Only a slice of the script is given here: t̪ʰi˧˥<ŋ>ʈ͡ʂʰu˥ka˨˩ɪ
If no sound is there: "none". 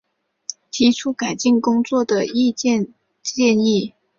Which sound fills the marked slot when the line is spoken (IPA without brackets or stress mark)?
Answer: none